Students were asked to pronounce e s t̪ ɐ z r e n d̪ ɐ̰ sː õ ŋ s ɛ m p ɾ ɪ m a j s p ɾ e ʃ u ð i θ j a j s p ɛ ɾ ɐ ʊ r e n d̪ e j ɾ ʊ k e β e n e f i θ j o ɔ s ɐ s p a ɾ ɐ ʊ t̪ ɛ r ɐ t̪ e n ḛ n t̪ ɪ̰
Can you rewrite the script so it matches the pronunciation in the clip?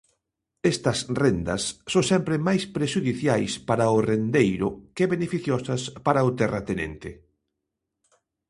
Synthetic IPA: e s t̪ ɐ s r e n d̪ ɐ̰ sː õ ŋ s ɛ m p ɾ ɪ m a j s p ɾ e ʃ u ð i θ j a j s p a ɾ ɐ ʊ r e n d̪ e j ɾ ʊ k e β e n e f i θ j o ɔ s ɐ s p a ɾ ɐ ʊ t̪ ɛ r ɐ t̪ e n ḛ n t̪ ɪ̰

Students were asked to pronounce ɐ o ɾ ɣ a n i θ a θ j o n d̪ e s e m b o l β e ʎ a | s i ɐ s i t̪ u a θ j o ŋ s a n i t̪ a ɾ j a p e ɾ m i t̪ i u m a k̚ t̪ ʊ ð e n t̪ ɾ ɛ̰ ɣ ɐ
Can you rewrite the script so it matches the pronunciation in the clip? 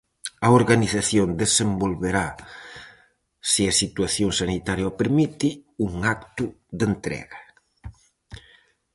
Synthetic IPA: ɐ o ɾ ɣ a n i θ a θ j o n d̪ e s e m b o l β e ɾ a | s i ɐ s i t̪ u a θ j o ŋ s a n i t̪ a ɾ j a p e ɾ m i t̪ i u ŋ a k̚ t̪ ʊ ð e n t̪ ɾ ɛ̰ ɣ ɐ

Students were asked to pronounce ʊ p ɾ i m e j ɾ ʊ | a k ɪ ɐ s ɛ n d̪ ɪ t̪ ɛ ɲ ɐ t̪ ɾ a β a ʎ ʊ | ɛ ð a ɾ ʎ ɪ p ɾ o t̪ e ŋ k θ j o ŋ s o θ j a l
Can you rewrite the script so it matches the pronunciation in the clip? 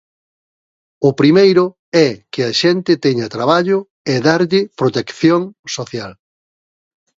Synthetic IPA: ʊ p ɾ i m e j ɾ ʊ | ɛ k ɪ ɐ ʃ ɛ n t̪ ɪ t̪ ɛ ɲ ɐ t̪ ɾ a β a ʎ ʊ | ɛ ð a ɾ ʎ ɪ p ɾ o t̪ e k θ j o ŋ s o θ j a l

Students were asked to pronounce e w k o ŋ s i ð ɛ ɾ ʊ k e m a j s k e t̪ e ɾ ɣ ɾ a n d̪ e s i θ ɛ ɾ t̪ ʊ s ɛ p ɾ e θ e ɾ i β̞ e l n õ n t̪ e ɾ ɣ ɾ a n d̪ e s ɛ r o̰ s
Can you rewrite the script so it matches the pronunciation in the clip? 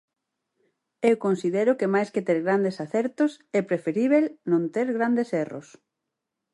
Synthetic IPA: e w k o n s i ð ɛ ɾ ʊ k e m a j s k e t̪ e ɾ ɣ ɾ a n d̪ e s a θ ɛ ɾ t̪ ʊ s ɛ p ɾ e f e ɾ i β̞ e l n õ n t̪ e ɾ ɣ ɾ a n d̪ e s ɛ r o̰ s

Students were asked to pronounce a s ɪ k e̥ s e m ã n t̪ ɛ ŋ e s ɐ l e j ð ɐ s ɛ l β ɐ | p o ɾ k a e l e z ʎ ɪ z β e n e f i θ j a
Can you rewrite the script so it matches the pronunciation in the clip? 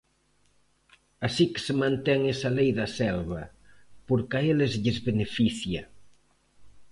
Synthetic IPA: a s i k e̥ s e m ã n t̪ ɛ ŋ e s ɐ l e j ð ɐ s ɛ l β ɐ | p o ɾ k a e l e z ʎ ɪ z β e n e f i θ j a

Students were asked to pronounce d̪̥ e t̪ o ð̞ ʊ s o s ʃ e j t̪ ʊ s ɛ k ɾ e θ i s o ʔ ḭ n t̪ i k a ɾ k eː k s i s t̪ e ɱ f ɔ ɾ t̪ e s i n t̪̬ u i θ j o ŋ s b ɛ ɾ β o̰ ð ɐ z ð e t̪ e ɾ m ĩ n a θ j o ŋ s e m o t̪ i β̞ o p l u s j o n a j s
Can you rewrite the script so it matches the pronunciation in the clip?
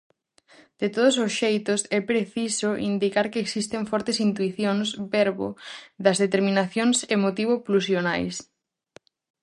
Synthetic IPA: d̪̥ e t̪ o ð̞ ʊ s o s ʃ e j t̪ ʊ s ɛ p ɾ e θ i s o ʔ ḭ n d̪ i k a ɾ k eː k s i s t̪ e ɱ f ɔ ɾ t̪ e s i n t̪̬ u i θ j o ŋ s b ɛ ɾ β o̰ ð ɐ z ð e t̪ e ɾ m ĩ n a θ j o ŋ s e m o t̪ i β̞ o p l u s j o n a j s

